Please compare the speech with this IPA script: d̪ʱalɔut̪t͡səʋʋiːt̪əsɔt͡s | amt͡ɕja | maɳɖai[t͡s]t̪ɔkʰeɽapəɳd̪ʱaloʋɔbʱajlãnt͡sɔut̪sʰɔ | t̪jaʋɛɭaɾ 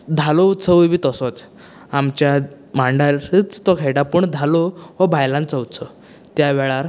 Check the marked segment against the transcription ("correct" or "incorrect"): correct